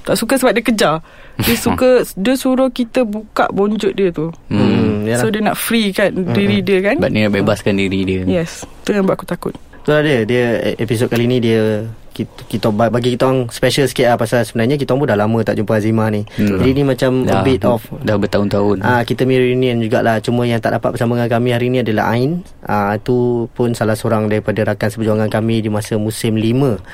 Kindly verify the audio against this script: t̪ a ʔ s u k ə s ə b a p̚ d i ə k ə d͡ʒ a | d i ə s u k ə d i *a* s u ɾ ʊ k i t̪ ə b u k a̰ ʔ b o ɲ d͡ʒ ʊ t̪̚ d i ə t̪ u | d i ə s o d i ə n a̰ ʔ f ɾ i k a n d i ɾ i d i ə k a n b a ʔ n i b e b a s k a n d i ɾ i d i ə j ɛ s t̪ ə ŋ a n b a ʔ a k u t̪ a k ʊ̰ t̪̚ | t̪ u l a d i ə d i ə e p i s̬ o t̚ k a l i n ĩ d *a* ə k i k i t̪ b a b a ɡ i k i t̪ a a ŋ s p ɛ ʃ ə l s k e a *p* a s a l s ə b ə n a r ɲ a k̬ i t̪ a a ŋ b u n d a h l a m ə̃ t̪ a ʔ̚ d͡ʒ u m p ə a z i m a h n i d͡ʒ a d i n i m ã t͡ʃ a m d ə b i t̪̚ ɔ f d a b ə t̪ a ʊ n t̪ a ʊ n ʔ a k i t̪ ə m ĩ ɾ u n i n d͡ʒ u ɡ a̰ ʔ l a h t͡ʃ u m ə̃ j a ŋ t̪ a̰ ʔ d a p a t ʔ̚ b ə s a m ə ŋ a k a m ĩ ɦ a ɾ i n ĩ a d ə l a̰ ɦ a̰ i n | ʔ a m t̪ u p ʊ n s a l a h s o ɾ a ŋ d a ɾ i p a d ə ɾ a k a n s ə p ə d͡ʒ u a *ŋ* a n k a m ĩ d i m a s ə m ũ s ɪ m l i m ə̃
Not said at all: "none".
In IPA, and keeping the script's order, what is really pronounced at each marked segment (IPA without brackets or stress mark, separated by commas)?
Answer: ə, i, p, ŋ